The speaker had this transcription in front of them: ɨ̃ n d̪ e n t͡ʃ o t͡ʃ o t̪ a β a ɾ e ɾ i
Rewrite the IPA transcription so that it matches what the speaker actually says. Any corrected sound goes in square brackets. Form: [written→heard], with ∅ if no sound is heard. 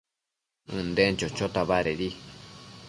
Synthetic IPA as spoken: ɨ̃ n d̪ e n t͡ʃ o t͡ʃ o t̪ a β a ɾ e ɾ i